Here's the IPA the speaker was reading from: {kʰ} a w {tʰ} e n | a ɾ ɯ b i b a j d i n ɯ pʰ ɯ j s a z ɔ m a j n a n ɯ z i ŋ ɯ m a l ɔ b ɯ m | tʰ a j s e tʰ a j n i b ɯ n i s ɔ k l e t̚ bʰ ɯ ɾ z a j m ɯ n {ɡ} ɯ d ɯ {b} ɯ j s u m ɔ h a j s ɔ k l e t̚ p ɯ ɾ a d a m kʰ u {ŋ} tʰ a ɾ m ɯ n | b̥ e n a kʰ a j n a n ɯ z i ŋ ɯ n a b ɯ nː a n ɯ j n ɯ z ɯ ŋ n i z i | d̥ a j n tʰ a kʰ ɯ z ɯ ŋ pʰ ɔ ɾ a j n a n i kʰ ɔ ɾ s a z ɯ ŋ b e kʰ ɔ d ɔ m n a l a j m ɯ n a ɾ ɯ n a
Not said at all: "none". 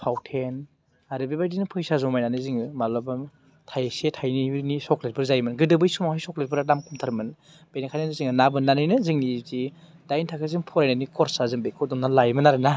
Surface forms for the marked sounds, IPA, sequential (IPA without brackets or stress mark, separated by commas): pʰ, tʰ, ɡ, b, m